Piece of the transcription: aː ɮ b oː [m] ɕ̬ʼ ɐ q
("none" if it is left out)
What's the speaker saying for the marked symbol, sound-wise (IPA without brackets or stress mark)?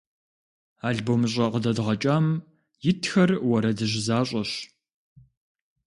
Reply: m